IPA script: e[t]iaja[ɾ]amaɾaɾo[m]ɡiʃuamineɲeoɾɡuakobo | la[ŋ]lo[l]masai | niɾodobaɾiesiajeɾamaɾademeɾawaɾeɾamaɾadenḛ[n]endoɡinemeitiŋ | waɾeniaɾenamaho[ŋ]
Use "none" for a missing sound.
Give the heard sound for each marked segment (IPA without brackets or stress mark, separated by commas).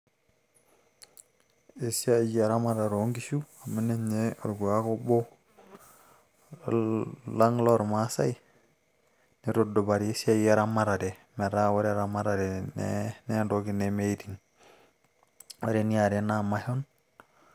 s, ɾ, ŋ, ŋ, ɾ, n, n